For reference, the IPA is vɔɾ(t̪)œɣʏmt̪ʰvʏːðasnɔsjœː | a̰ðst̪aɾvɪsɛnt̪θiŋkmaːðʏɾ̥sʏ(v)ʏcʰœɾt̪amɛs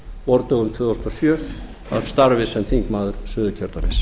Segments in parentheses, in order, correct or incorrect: correct, incorrect

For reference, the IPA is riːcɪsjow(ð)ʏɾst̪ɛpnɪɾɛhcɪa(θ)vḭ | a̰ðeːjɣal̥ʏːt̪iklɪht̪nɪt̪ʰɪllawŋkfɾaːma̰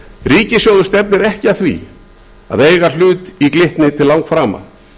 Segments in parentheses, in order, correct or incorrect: correct, correct

